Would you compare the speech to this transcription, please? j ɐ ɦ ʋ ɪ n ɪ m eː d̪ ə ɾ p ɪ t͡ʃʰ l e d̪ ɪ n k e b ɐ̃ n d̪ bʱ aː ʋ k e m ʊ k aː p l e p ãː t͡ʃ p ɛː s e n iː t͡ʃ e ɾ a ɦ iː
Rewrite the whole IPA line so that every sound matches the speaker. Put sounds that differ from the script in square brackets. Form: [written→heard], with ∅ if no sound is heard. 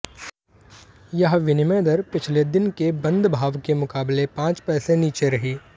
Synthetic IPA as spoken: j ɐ ɦ ʋ ɪ n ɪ m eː d̪ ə ɾ p ɪ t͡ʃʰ l e d̪ ɪ n k e b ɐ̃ n d̪ bʱ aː ʋ k e m ʊ k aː [p→b] l e p ãː t͡ʃ p ɛː s e n iː t͡ʃ e ɾ [a→ɐ] ɦ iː